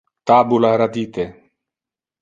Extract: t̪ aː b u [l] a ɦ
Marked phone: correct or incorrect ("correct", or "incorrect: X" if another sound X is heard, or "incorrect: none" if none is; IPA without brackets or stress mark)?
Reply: correct